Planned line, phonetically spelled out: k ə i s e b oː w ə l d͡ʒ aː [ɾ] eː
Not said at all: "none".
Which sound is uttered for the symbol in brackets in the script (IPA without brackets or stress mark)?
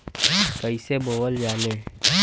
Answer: l